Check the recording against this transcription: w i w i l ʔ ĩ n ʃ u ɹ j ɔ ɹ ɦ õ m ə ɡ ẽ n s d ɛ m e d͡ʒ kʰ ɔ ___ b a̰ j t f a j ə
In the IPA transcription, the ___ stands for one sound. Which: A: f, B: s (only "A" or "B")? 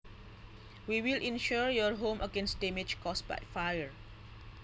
B